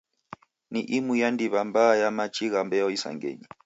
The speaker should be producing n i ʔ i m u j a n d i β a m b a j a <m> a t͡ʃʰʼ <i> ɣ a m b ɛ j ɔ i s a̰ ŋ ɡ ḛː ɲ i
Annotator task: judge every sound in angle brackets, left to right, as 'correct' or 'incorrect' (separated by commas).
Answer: correct, correct